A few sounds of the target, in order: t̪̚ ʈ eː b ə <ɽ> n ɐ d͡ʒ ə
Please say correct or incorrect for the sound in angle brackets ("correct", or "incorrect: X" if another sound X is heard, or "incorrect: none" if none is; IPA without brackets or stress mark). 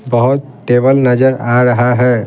incorrect: l